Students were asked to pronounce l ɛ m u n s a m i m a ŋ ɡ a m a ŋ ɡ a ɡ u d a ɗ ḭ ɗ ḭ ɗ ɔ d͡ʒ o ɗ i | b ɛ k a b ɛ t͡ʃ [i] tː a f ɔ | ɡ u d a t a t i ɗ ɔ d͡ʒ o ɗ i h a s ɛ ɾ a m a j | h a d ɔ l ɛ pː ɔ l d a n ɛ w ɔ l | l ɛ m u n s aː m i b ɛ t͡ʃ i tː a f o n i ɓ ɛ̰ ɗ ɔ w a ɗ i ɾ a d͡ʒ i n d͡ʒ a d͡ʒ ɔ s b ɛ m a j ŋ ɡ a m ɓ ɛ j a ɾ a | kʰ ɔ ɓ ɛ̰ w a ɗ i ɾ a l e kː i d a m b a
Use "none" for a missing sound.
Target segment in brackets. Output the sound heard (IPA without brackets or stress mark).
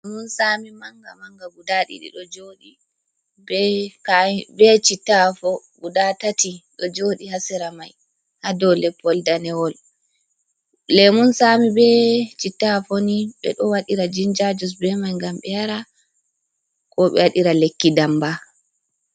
i